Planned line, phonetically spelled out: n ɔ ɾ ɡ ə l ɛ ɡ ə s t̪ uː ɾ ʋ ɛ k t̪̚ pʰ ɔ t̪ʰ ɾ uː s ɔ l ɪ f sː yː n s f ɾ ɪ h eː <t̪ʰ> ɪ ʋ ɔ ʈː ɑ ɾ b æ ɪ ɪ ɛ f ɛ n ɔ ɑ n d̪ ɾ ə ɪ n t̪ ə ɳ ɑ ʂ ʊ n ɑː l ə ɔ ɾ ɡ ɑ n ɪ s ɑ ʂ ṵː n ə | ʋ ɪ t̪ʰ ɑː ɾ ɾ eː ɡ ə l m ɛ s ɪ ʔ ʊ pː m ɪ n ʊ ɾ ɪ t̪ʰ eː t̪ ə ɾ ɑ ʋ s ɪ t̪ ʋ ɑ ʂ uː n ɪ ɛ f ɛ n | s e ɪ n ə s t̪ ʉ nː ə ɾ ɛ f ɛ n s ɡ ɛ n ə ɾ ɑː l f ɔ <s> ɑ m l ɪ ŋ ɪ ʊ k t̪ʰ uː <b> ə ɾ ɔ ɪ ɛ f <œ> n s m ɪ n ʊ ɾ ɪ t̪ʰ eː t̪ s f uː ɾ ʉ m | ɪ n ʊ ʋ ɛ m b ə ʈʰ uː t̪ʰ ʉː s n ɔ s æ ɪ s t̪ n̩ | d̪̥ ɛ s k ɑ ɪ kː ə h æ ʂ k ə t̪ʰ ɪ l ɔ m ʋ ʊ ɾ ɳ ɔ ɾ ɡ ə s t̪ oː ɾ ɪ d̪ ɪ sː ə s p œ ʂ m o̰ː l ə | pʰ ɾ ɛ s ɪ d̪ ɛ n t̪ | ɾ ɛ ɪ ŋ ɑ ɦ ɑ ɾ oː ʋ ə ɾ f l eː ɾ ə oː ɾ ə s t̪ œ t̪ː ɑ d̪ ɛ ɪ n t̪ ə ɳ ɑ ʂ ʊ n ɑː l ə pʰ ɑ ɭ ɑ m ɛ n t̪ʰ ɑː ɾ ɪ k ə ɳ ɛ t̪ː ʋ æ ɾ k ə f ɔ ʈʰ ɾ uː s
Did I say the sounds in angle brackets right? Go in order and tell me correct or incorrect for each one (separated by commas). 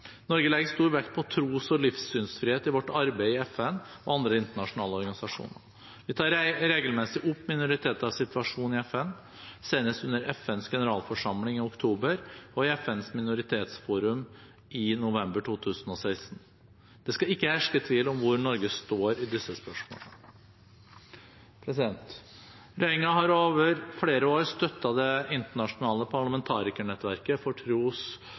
incorrect, incorrect, correct, incorrect